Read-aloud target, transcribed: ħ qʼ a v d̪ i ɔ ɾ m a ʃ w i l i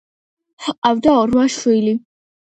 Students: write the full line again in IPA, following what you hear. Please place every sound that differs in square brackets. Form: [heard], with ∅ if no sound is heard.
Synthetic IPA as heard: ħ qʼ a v d̪ [a] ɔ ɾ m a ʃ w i l i